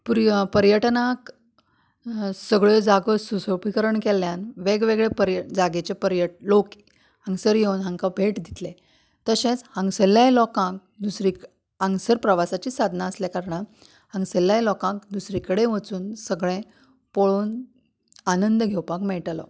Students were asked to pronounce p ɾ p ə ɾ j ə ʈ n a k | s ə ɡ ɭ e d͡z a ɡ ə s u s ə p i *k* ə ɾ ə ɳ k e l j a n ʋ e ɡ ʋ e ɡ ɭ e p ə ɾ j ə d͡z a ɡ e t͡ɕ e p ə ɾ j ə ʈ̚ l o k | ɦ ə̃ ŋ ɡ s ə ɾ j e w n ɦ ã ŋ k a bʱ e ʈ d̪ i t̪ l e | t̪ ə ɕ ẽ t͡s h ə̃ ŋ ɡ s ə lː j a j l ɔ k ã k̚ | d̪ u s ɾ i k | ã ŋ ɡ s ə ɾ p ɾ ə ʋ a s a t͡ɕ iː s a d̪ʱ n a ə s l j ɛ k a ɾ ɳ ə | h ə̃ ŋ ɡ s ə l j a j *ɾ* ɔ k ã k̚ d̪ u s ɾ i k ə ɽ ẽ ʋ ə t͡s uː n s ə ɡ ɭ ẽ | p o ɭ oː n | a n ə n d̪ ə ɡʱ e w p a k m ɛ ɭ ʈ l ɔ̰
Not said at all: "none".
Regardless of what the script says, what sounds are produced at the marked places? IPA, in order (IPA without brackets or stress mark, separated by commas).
k, l